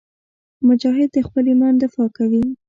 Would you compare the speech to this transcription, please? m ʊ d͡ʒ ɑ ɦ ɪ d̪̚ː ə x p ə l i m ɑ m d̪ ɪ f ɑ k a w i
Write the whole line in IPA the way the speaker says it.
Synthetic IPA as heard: m ʊ d͡ʒ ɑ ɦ ɪ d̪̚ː ə x p ə l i m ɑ n d̪ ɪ f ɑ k a w i